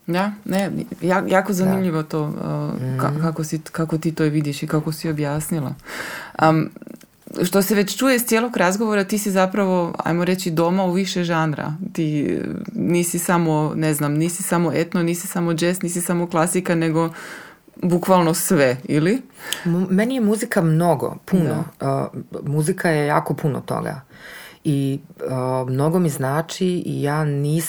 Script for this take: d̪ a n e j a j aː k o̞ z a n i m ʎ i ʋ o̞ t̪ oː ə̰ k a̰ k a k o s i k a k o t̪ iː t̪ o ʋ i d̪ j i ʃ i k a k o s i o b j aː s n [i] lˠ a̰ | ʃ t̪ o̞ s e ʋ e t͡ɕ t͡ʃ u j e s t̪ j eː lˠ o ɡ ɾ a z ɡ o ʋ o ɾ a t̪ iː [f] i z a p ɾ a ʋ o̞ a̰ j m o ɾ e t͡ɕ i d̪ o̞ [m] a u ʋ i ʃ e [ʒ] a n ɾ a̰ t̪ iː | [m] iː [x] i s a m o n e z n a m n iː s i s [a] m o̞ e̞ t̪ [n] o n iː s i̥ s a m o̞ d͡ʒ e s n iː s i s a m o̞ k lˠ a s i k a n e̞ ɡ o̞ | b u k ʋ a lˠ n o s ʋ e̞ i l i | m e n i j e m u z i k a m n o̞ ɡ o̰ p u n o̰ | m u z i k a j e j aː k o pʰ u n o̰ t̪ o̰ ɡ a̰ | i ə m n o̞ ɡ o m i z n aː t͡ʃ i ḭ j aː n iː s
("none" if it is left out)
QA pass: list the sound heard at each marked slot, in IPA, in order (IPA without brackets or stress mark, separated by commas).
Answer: i, s, m, ʒ, n, s, a, n